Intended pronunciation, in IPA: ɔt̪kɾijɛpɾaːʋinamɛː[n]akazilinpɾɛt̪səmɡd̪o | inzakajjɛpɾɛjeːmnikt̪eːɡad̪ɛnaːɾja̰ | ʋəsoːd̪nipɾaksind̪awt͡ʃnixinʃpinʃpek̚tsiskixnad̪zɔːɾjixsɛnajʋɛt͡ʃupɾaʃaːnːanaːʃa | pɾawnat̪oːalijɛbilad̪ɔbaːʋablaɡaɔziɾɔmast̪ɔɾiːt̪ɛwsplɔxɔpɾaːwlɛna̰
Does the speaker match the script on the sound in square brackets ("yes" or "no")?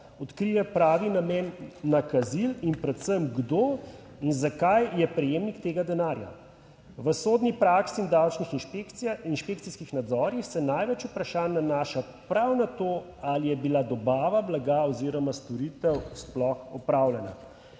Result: no